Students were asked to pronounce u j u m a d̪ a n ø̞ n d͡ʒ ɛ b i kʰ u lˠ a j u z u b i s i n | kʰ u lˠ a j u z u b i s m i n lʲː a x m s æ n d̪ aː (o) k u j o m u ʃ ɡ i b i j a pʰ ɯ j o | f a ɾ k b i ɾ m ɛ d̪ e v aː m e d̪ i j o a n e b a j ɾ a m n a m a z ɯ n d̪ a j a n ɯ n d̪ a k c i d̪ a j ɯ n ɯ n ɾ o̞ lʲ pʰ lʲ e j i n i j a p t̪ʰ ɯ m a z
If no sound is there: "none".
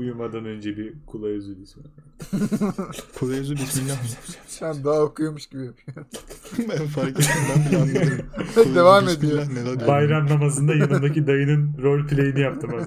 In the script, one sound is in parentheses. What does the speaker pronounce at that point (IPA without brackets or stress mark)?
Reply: o